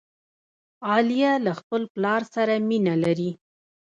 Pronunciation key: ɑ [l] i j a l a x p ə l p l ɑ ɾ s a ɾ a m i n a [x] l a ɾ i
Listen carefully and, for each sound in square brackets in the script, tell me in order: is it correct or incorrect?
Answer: correct, incorrect: none

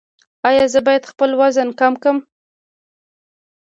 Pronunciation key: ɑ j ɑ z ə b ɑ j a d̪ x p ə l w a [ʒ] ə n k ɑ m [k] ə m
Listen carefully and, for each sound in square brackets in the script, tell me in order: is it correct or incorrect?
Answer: incorrect: z, correct

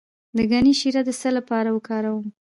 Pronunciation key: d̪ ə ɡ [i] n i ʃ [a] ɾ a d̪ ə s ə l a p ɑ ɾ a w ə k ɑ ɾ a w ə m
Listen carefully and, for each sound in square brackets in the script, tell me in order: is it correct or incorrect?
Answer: incorrect: a, incorrect: i

